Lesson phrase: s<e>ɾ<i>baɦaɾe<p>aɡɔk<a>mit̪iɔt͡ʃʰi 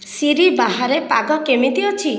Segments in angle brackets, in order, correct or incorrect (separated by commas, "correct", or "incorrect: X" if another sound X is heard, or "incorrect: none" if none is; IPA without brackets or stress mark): incorrect: i, correct, correct, incorrect: e